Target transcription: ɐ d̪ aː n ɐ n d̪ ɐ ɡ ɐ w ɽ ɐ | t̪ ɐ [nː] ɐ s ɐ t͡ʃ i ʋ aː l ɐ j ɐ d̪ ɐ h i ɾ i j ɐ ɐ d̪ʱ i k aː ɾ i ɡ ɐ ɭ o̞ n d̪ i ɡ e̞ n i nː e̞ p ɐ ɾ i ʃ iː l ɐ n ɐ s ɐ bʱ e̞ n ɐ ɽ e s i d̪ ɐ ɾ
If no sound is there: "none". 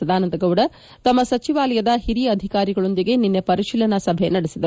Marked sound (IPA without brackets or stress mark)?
mː